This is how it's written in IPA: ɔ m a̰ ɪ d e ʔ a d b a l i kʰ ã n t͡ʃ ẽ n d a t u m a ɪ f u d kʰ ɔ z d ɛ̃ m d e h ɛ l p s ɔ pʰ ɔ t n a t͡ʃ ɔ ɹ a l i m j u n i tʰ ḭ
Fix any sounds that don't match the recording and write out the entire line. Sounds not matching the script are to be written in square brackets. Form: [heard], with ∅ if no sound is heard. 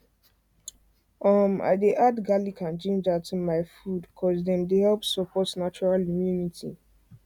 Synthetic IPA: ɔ m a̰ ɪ d e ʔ a d [ɡ] a l i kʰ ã n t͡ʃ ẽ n [d͡ʒ] a t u m a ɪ f u d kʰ ɔ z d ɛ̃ m d e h ɛ l p s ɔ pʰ ɔ t n a t͡ʃ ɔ ɹ a l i m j u n i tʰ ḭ